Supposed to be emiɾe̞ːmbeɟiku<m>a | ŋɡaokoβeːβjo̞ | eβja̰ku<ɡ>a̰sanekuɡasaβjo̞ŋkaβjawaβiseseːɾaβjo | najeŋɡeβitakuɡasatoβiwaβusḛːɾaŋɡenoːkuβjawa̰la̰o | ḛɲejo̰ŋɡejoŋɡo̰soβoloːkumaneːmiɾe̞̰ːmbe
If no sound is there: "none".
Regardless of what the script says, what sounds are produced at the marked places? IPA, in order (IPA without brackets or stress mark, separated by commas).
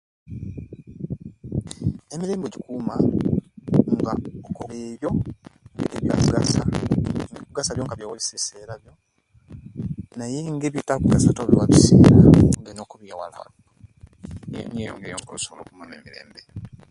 m, ɡ